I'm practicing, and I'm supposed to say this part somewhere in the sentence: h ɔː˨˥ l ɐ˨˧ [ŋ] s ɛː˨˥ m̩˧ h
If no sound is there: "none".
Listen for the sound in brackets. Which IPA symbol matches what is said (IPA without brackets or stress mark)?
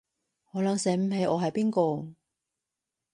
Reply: ŋ